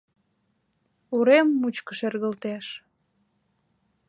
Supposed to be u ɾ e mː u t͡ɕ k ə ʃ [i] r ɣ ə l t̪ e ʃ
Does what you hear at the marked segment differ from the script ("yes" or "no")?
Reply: yes